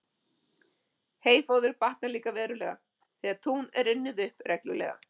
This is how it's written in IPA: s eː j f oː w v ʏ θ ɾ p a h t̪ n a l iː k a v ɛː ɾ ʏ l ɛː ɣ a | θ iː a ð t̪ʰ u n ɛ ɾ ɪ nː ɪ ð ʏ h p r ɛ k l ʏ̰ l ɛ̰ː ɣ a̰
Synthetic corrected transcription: h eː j f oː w ð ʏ ɾ p a h t̪ n a l iː k a v ɛː ɾ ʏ l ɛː ɣ a | θ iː a ð t̪ʰ u n ɛ ɾ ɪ nː ɪ ð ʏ h p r ɛ k l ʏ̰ l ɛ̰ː ɣ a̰